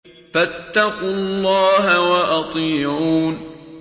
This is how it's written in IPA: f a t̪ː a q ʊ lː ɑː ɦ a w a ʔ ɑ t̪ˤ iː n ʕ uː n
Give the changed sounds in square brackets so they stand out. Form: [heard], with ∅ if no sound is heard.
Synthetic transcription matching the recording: f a t̪ː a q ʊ lː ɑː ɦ a w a ʔ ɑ t̪ˤ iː [∅] ʕ uː n